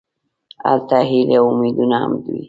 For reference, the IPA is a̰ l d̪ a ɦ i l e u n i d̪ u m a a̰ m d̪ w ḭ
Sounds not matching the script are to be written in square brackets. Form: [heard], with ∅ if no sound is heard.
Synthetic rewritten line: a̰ l [t̪] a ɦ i l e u [m] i d̪ u [n] a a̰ m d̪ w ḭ